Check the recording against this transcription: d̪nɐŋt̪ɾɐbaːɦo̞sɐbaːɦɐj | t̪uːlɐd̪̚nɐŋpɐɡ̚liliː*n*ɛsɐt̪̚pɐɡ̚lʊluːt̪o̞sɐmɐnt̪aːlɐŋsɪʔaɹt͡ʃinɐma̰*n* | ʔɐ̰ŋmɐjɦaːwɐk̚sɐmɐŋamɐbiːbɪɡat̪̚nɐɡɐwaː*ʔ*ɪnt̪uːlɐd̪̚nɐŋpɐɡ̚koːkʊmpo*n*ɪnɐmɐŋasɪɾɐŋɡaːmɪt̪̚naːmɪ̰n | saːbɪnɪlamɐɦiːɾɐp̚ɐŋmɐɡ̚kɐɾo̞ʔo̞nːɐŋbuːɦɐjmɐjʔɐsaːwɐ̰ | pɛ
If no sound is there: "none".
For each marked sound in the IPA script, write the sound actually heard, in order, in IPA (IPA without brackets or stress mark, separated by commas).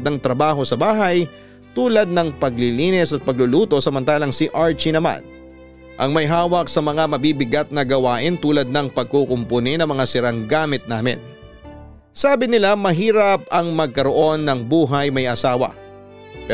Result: n, n, ʔ, n